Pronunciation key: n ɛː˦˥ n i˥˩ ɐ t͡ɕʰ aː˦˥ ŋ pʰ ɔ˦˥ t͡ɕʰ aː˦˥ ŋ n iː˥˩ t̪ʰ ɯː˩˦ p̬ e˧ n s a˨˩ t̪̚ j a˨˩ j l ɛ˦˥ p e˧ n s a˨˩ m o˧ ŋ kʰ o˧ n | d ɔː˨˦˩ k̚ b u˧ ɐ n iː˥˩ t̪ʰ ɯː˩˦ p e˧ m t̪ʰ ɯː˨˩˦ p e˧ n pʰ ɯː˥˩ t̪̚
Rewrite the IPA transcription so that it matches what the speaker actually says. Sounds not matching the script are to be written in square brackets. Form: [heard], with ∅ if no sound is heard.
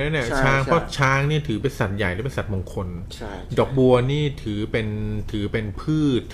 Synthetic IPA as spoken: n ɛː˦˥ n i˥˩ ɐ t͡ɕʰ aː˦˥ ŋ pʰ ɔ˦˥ t͡ɕʰ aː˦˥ ŋ n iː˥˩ t̪ʰ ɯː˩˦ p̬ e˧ n s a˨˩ t̪̚ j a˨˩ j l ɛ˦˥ p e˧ n s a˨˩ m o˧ ŋ kʰ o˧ n | d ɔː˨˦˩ k̚ b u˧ ɐ n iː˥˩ t̪ʰ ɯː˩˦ p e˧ [n] t̪ʰ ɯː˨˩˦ p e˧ n pʰ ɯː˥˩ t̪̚